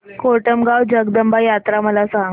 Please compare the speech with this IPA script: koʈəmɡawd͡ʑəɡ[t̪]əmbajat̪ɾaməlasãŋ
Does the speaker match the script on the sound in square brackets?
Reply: no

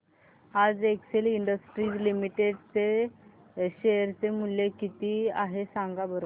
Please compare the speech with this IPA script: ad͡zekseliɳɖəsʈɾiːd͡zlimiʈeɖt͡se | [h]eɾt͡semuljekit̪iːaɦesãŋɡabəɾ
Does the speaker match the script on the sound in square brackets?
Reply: no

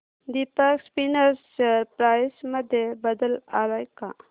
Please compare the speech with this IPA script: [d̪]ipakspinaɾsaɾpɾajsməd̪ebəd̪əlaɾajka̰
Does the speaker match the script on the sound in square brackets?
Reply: yes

